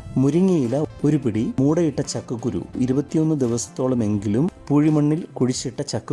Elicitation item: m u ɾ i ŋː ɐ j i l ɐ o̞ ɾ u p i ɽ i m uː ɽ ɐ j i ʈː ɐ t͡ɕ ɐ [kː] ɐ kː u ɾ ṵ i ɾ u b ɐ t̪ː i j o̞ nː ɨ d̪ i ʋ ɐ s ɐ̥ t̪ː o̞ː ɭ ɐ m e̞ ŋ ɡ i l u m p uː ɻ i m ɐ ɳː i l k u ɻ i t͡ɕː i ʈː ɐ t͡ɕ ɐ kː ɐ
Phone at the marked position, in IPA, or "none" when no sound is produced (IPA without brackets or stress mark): kː